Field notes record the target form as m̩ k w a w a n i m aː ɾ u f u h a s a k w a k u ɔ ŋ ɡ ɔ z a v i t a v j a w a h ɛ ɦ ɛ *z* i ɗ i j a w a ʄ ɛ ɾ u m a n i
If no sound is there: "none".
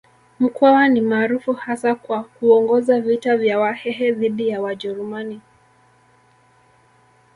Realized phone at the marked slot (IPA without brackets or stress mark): ð